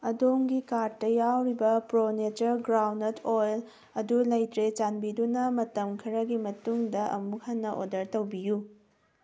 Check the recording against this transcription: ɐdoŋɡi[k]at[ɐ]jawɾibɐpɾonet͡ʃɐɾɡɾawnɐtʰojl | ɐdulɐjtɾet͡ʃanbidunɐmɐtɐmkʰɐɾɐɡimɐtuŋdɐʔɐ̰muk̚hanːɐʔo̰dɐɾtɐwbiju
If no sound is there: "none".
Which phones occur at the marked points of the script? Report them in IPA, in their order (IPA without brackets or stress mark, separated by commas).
k, ɐ